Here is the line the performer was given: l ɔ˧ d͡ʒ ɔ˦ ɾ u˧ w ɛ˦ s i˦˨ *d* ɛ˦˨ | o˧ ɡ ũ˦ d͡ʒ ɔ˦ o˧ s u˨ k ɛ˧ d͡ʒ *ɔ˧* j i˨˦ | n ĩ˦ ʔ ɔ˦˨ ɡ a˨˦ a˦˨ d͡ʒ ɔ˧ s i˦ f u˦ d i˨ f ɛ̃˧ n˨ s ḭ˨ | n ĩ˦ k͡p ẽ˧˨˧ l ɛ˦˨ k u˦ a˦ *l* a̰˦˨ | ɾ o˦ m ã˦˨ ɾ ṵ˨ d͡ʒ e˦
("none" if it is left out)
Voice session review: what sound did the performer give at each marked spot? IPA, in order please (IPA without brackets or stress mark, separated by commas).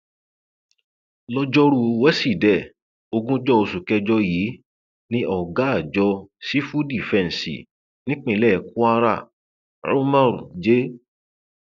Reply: d, ɔ˧, ɾ